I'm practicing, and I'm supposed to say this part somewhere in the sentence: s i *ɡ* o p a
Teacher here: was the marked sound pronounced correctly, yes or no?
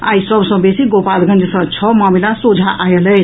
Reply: yes